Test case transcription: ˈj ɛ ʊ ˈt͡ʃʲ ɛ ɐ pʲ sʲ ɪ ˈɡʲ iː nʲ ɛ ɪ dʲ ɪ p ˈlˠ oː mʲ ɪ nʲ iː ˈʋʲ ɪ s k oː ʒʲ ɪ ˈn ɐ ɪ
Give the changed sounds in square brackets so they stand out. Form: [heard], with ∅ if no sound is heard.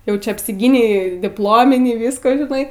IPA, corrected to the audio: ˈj ɛ ʊ ˈt͡ʃʲ ɛ ɐ pʲ sʲ ɪ ˈɡʲ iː nʲ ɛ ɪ dʲ ɪ p ˈlˠ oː mʲ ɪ nʲ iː ˈʋʲ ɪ s k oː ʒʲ ɪ ˈn ɐ ɪ